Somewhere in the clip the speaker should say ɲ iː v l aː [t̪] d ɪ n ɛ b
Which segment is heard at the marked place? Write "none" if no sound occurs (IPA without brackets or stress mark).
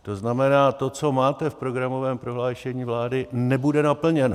none